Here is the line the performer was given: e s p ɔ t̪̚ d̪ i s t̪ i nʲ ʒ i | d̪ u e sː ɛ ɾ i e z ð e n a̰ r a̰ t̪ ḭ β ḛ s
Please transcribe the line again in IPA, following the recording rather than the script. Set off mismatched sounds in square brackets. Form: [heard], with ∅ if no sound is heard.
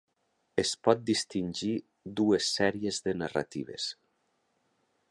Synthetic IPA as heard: e s p ɔ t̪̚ d̪ i s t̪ i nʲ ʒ i | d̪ u e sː ɛ ɾ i e z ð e n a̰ r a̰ t̪ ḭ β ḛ s